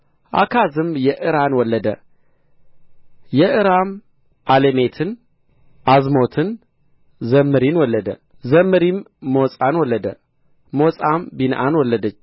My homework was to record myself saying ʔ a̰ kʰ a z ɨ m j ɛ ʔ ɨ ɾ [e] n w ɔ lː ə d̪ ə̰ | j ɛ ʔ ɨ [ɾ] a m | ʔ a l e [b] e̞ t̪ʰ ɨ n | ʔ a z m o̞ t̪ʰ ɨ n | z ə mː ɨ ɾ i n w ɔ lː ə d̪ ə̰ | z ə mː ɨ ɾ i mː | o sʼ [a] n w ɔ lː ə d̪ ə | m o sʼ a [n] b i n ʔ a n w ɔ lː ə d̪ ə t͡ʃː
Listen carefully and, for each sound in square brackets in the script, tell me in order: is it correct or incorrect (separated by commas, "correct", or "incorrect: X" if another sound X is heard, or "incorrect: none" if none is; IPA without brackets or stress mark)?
incorrect: a, correct, incorrect: m, correct, incorrect: m